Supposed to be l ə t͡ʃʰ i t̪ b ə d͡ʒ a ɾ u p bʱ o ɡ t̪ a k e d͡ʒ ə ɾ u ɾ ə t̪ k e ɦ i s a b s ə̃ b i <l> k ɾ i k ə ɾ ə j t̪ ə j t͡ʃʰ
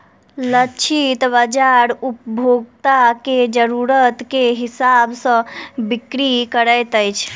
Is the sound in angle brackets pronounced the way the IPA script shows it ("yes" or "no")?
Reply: no